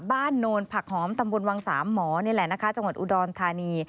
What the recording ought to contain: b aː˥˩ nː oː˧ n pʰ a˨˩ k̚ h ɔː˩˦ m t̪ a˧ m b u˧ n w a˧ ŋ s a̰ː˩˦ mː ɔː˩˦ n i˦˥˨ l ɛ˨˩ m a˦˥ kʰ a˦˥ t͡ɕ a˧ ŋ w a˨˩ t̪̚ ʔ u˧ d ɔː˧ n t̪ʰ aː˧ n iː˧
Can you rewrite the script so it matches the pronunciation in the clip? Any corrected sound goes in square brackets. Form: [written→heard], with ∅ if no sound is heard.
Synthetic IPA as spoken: b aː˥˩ nː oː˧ n pʰ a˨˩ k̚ h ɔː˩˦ m t̪ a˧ m b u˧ n w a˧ ŋ s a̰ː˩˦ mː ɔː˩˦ n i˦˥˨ l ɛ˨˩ [m→n] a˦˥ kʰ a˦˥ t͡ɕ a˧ ŋ w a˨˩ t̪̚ ʔ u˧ d ɔː˧ n t̪ʰ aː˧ n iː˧